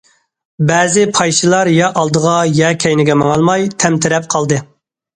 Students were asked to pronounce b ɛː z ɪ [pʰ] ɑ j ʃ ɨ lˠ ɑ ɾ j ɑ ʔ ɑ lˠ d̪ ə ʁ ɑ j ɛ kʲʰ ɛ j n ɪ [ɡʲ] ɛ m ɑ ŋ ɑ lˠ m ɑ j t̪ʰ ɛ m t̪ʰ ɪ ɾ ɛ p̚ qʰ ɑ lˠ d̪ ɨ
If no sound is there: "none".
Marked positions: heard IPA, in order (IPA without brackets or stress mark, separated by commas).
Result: pʰ, ɡʲ